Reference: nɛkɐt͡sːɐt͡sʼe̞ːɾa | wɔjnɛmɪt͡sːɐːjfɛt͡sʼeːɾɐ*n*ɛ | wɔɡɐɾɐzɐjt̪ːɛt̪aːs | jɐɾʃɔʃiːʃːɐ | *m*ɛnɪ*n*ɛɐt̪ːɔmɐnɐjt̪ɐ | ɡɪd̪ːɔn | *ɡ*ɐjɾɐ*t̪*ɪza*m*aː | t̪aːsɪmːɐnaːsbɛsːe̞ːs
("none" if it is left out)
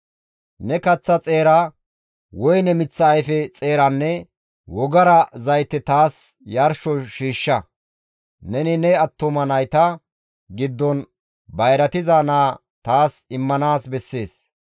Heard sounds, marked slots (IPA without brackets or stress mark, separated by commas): nː, n, n, b, t̪, n